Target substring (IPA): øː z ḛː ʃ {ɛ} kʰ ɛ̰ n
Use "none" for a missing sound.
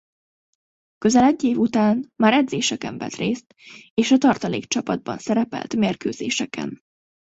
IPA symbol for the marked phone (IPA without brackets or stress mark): ɛ